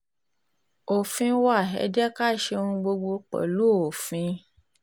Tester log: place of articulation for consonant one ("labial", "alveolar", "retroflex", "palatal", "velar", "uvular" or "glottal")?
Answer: labial